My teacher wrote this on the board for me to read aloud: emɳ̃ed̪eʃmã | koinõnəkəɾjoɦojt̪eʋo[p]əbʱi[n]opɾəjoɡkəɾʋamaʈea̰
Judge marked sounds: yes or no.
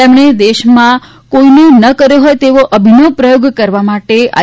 no, yes

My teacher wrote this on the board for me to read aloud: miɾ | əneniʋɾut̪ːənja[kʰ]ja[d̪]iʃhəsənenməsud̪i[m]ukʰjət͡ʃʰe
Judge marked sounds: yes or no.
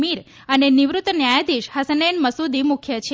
no, yes, yes

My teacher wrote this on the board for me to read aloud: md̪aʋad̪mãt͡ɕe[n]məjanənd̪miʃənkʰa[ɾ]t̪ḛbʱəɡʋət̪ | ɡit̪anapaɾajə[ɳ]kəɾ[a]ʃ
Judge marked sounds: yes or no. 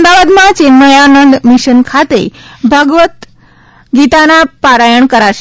yes, no, yes, yes

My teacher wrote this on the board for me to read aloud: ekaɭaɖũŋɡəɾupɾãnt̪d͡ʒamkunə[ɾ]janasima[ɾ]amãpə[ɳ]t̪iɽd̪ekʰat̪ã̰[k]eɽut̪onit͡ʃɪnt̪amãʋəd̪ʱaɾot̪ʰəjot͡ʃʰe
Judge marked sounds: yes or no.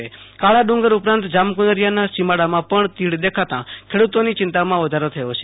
yes, no, yes, no

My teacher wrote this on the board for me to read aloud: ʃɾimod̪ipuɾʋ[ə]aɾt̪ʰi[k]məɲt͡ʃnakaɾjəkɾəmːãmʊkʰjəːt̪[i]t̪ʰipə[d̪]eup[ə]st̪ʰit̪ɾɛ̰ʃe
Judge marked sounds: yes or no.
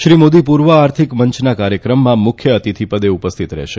yes, yes, yes, yes, yes

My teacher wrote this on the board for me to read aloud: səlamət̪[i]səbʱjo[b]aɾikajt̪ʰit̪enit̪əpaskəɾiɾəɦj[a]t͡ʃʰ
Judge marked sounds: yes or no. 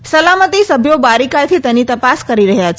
yes, yes, yes

